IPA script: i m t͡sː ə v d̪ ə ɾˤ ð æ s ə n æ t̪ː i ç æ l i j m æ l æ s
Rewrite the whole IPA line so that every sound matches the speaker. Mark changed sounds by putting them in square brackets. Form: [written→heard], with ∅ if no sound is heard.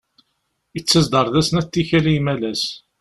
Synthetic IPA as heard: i [m→∅] t͡sː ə [v→z] d̪ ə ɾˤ ð æ s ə n æ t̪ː i ç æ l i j m æ l æ s